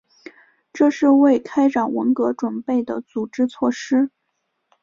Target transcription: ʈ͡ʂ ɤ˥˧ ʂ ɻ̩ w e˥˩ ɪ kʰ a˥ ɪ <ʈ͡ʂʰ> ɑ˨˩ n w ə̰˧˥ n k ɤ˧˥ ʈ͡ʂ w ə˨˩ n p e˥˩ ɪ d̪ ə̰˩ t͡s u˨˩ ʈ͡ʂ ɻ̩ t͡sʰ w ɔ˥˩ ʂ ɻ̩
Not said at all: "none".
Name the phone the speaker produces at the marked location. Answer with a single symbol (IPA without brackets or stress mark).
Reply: ʈ͡ʂ